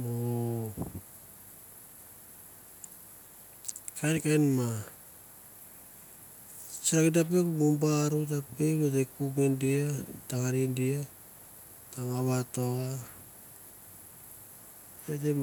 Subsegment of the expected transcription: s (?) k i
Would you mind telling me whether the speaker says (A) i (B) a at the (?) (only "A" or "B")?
B